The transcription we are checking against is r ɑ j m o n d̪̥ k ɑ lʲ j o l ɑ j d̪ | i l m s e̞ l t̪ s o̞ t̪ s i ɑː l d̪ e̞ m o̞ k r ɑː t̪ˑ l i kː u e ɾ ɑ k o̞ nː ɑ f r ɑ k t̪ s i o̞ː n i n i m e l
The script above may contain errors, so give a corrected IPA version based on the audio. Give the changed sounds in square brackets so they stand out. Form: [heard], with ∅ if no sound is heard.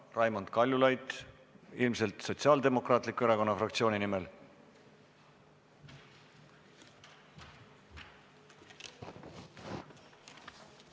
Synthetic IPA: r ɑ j m o n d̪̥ k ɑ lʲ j [u] l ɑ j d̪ | i l m s e̞ l t̪ s o̞ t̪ s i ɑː l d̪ e̞ m o̞ k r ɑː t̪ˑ l i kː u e ɾ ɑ k o̞ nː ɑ f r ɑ k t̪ s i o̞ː n i n i m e l